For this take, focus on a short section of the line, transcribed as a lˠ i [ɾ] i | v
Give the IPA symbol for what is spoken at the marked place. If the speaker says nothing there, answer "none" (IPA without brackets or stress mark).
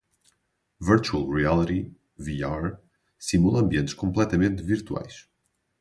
ɾ